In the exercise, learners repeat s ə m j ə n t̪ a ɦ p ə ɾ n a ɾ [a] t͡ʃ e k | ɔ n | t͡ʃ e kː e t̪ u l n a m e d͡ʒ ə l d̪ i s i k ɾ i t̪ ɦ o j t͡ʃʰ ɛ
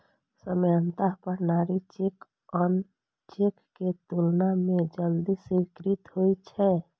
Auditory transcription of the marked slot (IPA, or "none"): i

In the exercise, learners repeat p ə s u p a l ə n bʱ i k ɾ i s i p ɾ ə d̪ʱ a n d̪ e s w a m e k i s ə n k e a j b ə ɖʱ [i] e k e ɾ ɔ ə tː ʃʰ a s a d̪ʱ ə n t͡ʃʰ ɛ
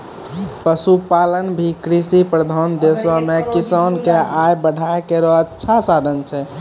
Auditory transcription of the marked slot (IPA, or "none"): a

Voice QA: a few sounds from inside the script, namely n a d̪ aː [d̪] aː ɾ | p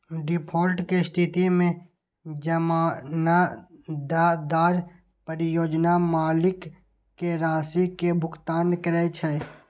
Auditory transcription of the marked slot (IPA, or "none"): d̪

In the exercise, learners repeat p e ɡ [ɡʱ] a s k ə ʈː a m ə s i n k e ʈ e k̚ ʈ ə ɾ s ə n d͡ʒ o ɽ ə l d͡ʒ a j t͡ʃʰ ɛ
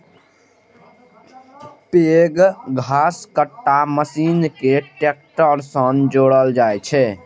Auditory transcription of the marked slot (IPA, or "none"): ɡʱ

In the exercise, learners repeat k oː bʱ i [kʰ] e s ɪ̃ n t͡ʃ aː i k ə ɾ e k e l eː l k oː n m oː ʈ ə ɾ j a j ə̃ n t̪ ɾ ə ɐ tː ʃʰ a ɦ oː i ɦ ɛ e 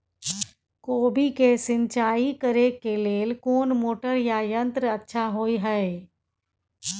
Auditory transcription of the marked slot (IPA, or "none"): k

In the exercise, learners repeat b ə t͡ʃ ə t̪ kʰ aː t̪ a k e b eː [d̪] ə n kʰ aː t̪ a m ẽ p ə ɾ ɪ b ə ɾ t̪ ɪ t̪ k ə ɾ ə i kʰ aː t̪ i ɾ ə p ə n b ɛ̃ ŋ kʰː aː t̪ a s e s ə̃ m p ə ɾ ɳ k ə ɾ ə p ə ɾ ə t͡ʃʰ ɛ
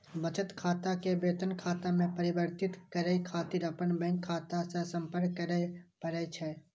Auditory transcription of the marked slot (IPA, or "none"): t̪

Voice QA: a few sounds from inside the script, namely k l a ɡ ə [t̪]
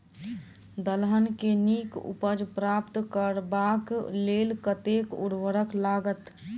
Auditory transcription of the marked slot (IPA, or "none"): t̪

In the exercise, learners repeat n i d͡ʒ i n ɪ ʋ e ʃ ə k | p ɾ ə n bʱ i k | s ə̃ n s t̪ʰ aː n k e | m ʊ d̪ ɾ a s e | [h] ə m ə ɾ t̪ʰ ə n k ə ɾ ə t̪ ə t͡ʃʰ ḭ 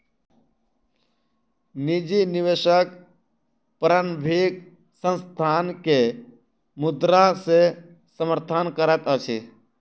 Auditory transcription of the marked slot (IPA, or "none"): s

